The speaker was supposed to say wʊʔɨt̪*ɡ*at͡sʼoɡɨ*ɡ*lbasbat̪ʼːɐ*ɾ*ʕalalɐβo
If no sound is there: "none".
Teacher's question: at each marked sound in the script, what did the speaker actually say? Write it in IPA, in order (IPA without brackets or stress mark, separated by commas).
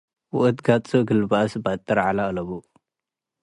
ɡ, none, ɾ